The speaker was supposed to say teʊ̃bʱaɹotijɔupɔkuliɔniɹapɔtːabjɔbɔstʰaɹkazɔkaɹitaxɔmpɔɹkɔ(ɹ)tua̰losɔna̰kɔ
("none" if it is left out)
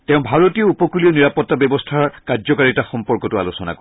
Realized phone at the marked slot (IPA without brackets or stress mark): none